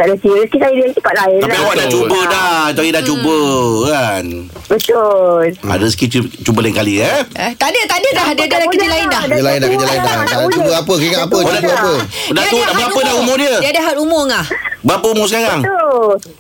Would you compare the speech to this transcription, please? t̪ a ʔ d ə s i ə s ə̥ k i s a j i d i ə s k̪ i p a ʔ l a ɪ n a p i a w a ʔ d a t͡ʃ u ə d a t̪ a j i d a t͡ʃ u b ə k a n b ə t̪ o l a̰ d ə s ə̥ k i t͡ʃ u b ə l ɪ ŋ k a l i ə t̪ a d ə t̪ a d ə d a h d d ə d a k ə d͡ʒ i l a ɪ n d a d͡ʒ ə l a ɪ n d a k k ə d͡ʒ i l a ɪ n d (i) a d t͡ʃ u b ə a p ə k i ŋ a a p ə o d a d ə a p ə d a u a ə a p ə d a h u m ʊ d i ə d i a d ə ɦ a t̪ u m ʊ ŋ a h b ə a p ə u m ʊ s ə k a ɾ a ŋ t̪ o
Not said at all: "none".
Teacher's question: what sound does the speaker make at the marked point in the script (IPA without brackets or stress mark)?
a